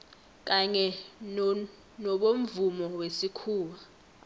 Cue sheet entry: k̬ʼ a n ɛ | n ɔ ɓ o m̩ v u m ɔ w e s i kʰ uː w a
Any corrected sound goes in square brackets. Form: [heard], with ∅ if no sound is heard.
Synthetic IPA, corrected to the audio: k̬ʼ a [ɲ] ɛ | n ɔ ɓ o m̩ v u m ɔ w e s i kʰ uː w a